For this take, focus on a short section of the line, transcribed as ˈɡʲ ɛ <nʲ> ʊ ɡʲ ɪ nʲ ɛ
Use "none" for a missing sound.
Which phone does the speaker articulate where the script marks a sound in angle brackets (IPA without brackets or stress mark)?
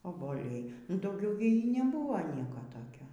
none